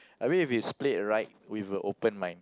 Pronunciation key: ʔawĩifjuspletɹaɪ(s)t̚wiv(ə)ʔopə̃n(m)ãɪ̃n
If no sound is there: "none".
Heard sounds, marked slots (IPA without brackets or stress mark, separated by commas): none, ə, m